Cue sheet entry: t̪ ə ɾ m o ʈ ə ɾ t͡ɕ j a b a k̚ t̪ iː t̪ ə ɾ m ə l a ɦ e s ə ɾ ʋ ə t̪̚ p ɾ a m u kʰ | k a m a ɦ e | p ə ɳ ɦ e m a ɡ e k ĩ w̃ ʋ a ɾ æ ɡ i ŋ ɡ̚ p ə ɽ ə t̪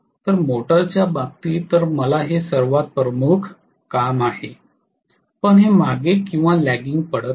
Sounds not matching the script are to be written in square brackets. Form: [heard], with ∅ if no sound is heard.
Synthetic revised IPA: t̪ ə ɾ m o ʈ ə ɾ t͡ɕ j a b a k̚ t̪ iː t̪ ə ɾ m ə l a ɦ e s ə ɾ ʋ [a] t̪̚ p ɾ [ə] m u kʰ | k a m a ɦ e | p ə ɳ ɦ e m a ɡ e k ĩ w̃ ʋ a [l] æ ɡ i ŋ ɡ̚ p ə ɽ ə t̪